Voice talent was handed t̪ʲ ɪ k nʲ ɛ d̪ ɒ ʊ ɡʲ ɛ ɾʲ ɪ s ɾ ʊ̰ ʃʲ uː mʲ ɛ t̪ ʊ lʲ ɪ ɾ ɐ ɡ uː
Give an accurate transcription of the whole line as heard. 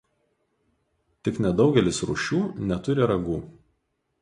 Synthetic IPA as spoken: t̪ʲ ɪ k nʲ ɛ d̪ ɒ ʊ ɡʲ ɛ lʲ ɪ s ɾ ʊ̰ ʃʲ uː nʲ ɛ t̪ ʊ ɾʲ ɪ ɾ ɐ ɡ uː